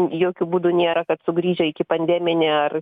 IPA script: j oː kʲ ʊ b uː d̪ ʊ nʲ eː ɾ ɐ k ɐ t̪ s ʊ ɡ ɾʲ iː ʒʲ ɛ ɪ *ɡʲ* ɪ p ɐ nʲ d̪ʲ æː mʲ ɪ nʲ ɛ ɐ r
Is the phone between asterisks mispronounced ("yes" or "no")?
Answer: yes